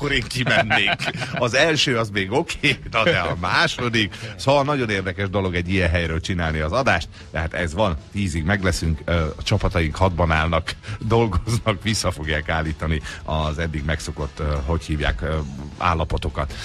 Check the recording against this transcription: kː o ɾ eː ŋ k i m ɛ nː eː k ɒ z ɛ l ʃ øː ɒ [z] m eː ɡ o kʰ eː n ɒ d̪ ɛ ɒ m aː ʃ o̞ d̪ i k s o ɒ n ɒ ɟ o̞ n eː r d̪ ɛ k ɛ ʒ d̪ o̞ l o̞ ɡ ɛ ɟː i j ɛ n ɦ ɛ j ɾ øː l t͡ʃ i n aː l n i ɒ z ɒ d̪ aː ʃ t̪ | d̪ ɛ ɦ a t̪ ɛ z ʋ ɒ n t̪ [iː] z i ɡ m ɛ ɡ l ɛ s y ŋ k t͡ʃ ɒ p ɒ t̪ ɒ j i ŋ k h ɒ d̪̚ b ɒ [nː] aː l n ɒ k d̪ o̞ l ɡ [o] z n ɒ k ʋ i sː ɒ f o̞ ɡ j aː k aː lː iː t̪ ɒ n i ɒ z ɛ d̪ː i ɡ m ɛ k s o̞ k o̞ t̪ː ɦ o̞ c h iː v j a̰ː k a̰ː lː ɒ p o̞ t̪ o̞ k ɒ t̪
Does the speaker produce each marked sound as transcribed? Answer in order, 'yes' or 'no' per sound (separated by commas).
yes, yes, no, yes